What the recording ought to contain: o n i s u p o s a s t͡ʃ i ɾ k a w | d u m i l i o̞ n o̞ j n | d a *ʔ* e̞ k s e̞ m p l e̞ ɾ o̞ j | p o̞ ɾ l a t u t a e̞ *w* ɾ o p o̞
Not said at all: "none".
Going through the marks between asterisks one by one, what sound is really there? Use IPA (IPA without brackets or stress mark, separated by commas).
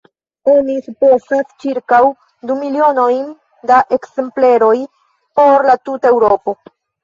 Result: ʔ, w